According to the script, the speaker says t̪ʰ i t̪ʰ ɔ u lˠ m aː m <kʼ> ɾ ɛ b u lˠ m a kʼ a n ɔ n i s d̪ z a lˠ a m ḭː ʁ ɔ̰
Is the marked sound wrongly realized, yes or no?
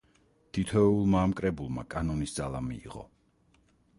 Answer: no